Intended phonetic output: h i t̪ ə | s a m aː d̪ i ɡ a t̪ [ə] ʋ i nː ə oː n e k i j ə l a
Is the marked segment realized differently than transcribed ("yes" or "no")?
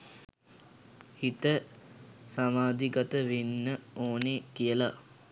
no